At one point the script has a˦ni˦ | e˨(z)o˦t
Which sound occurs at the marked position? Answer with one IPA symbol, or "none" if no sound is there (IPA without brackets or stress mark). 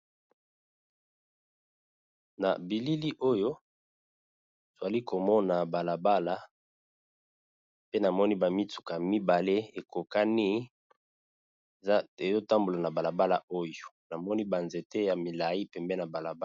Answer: z